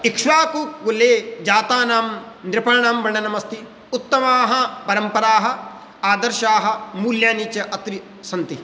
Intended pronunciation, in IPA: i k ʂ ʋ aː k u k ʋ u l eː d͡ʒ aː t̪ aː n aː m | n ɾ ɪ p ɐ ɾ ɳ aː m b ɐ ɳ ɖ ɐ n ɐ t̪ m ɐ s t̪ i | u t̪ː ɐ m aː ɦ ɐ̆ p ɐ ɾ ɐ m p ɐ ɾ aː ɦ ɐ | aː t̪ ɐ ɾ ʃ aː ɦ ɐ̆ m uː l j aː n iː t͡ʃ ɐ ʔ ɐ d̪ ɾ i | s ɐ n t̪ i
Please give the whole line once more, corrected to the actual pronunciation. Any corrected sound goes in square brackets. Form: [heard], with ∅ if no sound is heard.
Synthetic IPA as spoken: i k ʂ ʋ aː k u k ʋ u l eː d͡ʒ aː t̪ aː n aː m | n ɾ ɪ p ɐ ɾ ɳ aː m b ɐ ɳ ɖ ɐ n ɐ [∅] m ɐ s t̪ i | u t̪ː ɐ m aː ɦ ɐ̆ p ɐ ɾ ɐ m p ɐ ɾ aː ɦ ɐ | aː [d̪] ɐ ɾ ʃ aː ɦ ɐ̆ m uː l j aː n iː t͡ʃ ɐ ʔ ɐ [t̪] ɾ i | s ɐ n t̪ i